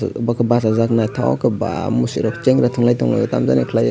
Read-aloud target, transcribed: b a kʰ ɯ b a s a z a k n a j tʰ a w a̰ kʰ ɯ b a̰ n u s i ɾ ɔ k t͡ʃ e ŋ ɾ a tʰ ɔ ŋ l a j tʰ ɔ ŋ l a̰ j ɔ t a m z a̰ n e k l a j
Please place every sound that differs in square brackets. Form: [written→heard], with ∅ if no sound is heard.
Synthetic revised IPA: b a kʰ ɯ b a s a z a k n a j tʰ a w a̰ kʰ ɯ b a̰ [n→m] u s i ɾ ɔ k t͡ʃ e ŋ ɾ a tʰ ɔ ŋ l a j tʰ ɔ ŋ l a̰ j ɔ t a m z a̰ n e [k→kʰ] l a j